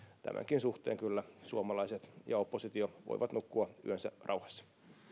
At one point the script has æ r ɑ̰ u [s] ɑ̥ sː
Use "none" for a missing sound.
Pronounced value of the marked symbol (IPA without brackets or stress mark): h